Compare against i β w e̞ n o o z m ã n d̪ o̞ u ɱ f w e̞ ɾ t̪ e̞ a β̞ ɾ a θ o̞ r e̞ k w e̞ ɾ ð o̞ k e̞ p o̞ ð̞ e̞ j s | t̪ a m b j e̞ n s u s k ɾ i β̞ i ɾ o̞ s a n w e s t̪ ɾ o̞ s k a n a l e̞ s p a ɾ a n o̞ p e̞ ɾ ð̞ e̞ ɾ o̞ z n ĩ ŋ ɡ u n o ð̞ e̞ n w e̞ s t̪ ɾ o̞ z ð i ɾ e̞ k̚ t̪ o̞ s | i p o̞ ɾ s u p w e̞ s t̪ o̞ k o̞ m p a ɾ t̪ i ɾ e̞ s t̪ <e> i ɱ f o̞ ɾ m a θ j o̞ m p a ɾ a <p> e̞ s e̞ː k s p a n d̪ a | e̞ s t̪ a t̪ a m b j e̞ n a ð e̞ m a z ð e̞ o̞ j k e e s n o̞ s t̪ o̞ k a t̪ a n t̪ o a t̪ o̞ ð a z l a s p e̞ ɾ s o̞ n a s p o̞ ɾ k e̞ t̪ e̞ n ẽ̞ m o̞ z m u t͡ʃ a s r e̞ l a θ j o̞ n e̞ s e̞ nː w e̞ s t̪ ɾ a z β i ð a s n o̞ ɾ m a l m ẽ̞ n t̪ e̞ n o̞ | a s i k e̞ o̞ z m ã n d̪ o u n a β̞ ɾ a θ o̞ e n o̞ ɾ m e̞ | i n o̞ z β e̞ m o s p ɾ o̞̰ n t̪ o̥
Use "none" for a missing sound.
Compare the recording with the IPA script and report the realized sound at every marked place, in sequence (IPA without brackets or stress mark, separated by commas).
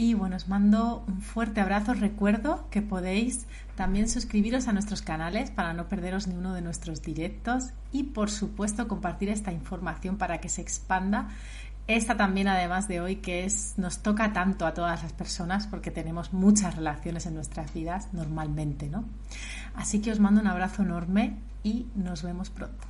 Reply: a, k